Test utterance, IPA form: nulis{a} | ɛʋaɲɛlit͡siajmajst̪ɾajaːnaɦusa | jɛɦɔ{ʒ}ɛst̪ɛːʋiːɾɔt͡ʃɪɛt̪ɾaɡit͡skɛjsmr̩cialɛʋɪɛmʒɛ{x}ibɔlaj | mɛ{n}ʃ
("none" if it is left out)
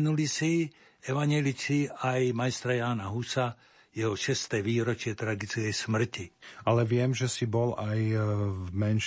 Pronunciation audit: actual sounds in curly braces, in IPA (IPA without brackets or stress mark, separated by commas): i, ʃ, s, n